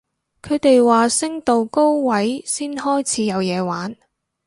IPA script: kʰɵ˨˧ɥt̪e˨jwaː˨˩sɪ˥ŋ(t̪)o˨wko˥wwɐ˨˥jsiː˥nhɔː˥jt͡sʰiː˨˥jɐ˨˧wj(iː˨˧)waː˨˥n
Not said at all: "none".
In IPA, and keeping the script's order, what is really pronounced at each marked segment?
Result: t̪, ɛː˨˧

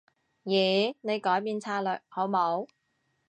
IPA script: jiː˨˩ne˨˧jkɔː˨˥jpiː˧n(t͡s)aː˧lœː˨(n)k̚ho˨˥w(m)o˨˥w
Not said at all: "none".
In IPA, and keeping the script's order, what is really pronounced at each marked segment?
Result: t͡sʰ, none, m

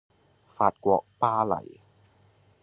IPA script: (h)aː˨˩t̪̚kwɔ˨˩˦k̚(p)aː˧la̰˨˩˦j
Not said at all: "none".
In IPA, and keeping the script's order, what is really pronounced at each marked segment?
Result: f, p

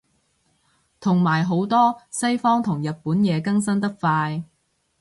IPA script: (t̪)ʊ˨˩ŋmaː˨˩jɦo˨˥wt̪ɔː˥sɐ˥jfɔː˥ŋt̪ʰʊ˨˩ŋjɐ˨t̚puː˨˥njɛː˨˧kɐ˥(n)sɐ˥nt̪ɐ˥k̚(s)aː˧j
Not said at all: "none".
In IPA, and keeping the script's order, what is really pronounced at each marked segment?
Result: t̪ʰ, ŋ, f

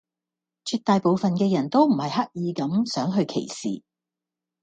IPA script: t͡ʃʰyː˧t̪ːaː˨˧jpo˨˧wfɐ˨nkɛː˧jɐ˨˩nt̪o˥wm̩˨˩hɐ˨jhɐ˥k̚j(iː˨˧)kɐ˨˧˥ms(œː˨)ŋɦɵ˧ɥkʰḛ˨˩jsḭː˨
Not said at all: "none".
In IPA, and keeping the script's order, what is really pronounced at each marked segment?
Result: iː˨˧, œː˨˥

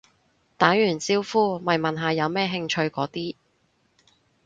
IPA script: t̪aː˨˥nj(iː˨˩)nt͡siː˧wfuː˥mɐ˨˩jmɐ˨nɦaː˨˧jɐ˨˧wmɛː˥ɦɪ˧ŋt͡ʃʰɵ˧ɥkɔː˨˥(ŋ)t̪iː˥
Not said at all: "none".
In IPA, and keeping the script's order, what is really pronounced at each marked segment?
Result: yː˨˩, none

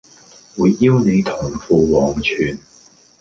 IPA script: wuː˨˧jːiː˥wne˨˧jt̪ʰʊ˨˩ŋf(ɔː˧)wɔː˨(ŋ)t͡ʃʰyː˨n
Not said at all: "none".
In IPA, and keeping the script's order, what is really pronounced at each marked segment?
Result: uː˧, ŋ

